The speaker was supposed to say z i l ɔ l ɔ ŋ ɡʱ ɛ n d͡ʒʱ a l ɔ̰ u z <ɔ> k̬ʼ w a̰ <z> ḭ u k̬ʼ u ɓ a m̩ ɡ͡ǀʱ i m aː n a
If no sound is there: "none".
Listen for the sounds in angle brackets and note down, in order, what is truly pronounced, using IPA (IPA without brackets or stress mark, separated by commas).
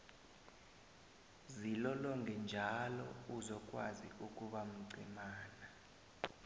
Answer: ɔ, z